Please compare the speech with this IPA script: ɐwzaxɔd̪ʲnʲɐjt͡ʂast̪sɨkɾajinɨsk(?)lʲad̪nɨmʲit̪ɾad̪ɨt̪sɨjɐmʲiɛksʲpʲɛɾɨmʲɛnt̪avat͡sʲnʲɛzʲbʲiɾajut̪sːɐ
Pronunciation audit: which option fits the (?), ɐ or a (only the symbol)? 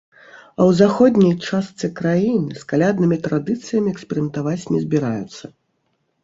a